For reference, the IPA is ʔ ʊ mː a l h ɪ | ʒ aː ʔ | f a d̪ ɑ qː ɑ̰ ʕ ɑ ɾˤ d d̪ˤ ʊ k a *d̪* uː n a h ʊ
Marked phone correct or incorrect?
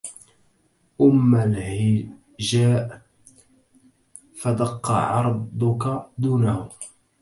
correct